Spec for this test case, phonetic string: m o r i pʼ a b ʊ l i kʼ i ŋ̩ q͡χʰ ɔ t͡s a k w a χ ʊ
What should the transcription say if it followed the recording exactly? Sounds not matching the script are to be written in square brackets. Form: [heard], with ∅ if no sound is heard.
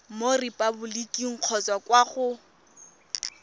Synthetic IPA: m o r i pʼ a b ʊ l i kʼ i ŋ̩ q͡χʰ ɔ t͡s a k w a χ ʊ